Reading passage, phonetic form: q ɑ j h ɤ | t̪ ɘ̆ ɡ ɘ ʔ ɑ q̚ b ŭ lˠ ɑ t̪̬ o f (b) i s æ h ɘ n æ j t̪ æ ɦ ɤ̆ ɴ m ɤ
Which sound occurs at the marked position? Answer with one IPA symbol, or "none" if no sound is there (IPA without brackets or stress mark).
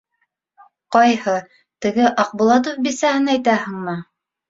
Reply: b